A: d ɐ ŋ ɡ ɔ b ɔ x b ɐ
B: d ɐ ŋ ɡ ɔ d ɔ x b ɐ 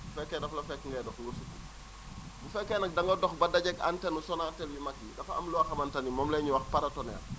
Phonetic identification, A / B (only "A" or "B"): B